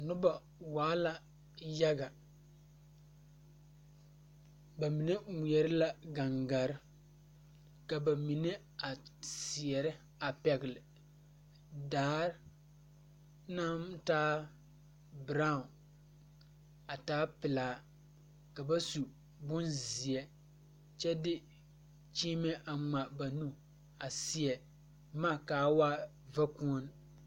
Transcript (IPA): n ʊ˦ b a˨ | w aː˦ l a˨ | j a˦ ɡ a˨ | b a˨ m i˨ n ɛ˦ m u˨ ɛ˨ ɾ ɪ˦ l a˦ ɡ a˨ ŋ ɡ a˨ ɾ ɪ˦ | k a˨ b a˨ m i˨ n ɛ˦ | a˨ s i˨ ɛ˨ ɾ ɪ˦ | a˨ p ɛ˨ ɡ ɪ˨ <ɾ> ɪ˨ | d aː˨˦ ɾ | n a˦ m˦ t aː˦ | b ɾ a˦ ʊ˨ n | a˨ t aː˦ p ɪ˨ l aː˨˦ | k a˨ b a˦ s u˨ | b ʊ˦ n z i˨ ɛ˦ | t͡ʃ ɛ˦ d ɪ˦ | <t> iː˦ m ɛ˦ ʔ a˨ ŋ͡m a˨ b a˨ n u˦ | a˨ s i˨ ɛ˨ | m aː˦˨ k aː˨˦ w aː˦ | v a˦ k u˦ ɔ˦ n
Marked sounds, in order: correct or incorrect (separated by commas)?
incorrect, incorrect